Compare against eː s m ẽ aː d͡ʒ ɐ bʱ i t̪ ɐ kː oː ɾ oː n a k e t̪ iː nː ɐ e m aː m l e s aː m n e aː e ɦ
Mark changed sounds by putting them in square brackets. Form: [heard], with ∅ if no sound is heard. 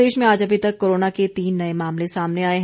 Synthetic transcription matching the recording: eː [ʃ] m ẽ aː d͡ʒ ɐ bʱ i t̪ ɐ kː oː ɾ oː n a k e t̪ iː nː ɐ e m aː m l e s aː m n e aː e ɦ